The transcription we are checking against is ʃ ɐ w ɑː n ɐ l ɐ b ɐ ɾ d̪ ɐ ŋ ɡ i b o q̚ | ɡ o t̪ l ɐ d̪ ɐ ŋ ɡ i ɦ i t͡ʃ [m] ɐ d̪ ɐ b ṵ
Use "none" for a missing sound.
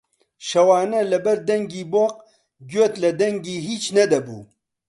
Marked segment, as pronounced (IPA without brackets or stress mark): n